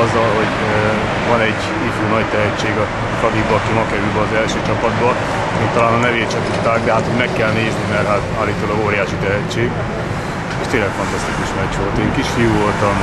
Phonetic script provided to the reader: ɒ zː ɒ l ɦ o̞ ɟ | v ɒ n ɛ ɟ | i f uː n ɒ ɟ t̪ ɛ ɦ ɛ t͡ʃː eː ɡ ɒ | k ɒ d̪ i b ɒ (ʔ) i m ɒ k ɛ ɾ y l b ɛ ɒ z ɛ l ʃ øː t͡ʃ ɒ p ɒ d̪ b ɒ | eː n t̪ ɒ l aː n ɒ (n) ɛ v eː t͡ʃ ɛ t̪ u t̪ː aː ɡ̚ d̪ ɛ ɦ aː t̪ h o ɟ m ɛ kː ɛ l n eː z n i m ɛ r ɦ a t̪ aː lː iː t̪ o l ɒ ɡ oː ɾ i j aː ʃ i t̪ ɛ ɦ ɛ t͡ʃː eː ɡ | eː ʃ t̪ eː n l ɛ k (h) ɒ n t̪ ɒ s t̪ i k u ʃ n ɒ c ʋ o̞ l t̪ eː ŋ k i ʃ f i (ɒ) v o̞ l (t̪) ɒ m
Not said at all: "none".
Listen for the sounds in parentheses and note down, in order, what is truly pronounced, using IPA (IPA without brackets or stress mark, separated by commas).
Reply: k, n, f, u, t̪